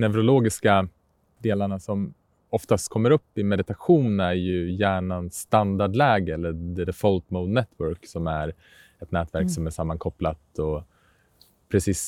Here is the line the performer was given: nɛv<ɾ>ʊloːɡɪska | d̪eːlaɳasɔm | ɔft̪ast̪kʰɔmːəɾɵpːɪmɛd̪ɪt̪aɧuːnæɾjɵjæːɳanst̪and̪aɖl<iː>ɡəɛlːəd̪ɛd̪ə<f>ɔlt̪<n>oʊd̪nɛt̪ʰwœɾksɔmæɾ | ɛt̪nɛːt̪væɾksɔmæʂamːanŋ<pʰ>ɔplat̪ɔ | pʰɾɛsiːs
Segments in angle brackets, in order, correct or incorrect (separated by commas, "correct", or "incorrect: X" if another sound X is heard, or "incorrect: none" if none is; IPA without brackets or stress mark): correct, incorrect: ɛː, correct, incorrect: m, incorrect: kʰ